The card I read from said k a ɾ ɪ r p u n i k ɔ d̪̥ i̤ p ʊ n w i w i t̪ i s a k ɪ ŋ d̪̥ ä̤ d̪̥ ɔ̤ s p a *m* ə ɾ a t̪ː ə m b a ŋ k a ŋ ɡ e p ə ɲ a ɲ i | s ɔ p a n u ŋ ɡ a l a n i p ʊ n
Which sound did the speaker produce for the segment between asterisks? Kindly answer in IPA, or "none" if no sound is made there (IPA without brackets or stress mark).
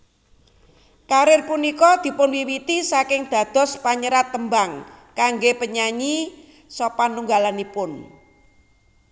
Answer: ɲ